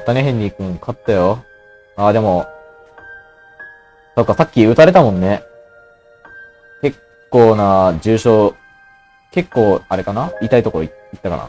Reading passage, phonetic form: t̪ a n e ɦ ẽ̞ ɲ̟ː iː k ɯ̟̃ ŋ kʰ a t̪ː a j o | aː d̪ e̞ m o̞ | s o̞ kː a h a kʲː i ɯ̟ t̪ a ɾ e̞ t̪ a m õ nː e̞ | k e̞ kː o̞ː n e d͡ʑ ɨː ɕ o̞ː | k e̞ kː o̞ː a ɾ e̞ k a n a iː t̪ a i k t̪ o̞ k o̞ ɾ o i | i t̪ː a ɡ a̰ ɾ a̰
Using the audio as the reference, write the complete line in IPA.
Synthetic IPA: t̪ a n e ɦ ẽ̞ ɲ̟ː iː k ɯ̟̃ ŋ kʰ a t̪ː a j o | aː d̪ e̞ m o̞ | s o̞ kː a s a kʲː i ɯ̟ t̪ a ɾ e̞ t̪ a m õ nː e̞ | k e̞ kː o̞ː n a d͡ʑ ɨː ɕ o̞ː | k e̞ kː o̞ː a ɾ e̞ k a n a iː t̪ a i t̪ o̞ k o̞ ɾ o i | i t̪ː a k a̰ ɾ a̰